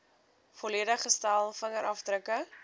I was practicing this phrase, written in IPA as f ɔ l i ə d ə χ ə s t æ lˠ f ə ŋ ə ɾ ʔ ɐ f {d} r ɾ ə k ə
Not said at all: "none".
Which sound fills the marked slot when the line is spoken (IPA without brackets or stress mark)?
d